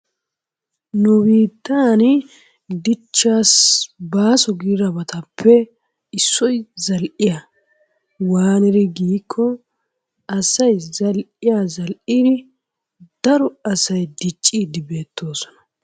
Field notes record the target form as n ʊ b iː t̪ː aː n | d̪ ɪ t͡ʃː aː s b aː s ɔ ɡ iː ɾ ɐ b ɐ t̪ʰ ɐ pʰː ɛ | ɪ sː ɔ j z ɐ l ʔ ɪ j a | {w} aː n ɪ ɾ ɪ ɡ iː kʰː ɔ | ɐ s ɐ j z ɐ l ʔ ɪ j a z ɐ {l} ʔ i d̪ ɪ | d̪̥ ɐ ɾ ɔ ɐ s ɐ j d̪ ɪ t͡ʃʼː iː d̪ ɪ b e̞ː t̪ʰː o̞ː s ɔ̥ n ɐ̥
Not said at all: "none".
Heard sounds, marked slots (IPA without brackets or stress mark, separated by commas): w, l